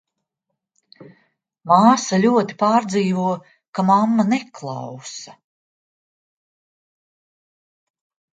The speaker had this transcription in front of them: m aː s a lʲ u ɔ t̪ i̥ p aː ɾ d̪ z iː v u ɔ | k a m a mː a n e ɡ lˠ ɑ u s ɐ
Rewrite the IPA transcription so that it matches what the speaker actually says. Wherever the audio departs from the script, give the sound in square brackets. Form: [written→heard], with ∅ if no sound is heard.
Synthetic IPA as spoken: m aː s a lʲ u ɔ t̪ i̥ p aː ɾ d̪ z iː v u ɔ | k a m a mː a n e [ɡ→k] lˠ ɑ [u→w] s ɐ